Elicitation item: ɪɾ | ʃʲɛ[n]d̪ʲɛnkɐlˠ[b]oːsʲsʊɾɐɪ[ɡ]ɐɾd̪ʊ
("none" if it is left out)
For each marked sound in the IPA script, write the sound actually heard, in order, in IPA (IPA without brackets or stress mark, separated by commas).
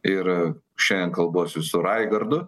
n, b, ɡ